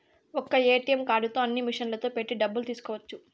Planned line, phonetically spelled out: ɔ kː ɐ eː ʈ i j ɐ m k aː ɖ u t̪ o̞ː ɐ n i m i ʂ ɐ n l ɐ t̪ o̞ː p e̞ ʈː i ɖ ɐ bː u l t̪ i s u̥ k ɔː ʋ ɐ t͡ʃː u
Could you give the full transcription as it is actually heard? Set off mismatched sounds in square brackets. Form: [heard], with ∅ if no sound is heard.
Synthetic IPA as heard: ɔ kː ɐ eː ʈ i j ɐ m k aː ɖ u t̪ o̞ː ɐ [nː] i m i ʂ ɐ n l ɐ t̪ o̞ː p e̞ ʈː i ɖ ɐ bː u l t̪ [iː] s u̥ k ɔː ʋ ɐ t͡ʃː u